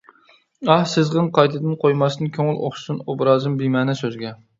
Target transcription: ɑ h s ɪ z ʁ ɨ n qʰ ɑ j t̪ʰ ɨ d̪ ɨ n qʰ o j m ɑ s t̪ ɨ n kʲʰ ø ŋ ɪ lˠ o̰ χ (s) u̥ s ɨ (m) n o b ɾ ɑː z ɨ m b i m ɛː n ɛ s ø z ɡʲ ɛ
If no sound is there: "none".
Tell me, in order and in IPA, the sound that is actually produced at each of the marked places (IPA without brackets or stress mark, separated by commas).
ʃ, none